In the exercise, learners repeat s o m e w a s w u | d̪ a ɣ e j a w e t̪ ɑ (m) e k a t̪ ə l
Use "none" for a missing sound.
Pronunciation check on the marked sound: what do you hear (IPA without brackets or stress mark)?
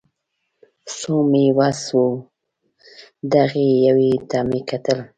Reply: m